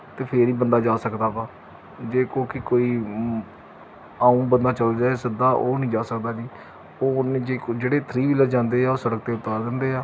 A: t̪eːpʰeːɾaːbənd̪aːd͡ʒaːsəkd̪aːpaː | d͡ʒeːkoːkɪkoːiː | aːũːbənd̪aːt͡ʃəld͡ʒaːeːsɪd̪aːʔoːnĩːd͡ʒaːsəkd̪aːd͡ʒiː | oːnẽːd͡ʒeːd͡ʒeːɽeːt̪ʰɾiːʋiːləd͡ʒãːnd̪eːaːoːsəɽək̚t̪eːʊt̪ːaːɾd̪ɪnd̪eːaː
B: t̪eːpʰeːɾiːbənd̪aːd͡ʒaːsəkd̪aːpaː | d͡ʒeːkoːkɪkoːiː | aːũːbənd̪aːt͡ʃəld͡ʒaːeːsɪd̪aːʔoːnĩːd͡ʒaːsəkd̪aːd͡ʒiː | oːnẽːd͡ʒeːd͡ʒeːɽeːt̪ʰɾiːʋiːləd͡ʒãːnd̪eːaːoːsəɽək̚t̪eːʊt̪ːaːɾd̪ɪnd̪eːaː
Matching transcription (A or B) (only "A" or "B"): B